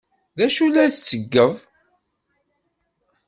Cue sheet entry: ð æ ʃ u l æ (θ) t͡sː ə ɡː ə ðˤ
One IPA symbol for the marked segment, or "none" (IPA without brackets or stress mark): θ